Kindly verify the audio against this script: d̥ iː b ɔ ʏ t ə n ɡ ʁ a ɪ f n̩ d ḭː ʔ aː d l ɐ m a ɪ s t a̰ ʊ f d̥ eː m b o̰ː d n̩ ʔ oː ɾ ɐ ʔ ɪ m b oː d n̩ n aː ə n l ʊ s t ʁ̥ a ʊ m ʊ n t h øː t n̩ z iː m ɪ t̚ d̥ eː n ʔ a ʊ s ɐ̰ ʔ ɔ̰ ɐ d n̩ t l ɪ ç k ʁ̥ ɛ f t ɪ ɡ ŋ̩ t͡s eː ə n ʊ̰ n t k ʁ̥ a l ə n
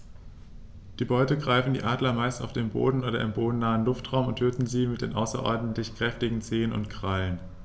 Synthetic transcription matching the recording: d̥ iː b ɔ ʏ t ə ɡ ʁ a ɪ f n̩ d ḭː ʔ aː d l ɐ m a ɪ s t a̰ ʊ f d̥ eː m b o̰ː d n̩ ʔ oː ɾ ɐ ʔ ɪ m b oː d n̩ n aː ə n l ʊ f t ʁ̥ a ʊ m ʊ n t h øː t n̩ z iː m ɪ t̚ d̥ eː n ʔ a ʊ s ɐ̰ ʔ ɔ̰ ɐ d n̩ t l ɪ ç k ʁ̥ ɛ f t ɪ ɡ ŋ̩ t͡s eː ə n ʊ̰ n t k ʁ̥ a l ə n

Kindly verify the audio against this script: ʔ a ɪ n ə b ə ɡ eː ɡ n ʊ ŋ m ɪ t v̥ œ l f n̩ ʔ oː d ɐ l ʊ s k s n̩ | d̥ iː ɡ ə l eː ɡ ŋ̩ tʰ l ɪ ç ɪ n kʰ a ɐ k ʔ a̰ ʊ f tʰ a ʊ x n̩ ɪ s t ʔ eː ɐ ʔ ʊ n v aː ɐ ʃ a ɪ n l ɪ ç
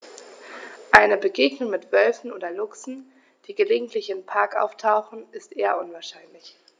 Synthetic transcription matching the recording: ʔ a ɪ n ə b ə ɡ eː ɡ n ʊ ŋ m ɪ t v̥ œ l f n̩ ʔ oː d ɐ l ʊ k s n̩ | d̥ iː ɡ ə l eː ɡ ŋ̩ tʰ l ɪ ç ɪ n pʰ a ɐ k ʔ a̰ ʊ f tʰ a ʊ x n̩ ɪ s t ʔ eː ɐ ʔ ʊ n v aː ɐ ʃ a ɪ n l ɪ ç

